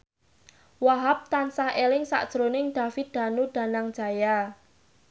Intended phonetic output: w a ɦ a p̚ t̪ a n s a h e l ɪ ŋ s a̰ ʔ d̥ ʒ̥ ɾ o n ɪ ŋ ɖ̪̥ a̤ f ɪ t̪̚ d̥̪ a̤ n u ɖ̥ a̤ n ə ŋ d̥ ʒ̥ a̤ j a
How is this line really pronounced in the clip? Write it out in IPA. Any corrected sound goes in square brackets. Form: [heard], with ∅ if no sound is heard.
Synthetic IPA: w a ɦ a p̚ t̪ a n s a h e l ɪ ŋ s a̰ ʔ d̥ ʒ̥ ɾ o n ɪ ŋ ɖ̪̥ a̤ f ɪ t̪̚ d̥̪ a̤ n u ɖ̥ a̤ n [a] ŋ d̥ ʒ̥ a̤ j a